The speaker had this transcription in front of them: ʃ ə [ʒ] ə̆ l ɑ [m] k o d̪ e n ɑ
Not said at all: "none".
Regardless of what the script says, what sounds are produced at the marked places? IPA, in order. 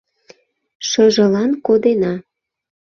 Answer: ʒ, n

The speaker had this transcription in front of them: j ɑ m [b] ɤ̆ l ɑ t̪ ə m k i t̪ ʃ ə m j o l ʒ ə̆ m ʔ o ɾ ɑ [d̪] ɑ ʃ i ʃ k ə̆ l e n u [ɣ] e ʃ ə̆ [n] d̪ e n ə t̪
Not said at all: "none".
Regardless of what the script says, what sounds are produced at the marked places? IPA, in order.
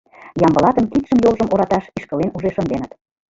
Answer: b, t̪, ʒ, n

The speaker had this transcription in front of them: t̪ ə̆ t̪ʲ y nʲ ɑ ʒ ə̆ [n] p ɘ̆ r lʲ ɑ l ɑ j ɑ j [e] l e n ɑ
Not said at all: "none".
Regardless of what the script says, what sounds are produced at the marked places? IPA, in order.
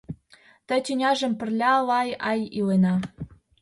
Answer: m, i

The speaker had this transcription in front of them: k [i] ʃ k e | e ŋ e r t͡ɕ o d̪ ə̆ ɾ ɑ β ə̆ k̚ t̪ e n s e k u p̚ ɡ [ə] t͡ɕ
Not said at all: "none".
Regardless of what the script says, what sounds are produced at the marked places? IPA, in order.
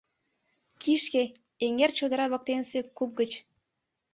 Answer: i, ə

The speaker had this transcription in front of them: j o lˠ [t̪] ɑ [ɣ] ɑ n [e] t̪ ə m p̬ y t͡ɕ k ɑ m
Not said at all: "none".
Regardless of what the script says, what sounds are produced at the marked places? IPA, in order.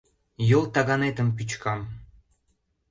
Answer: t̪, ɣ, e

